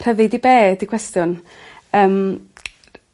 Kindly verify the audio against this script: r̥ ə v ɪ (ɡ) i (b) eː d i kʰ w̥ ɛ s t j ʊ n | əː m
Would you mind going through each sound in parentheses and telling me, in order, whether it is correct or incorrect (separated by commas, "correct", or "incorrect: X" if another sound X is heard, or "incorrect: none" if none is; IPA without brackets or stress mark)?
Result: incorrect: d, correct